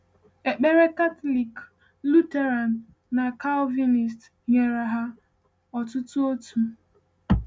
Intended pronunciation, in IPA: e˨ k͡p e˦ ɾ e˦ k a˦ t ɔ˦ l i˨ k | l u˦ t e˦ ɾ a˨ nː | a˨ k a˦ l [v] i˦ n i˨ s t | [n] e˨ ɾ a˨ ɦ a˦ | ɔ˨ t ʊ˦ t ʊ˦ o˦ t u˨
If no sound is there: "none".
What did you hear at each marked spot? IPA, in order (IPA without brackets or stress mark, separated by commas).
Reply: v, ɲ